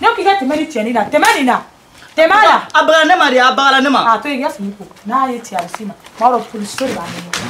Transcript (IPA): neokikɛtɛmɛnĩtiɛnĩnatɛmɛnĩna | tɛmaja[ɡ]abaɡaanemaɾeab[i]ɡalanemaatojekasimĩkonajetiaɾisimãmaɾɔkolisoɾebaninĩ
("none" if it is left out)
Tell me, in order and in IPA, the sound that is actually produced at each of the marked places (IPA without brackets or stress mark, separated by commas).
none, a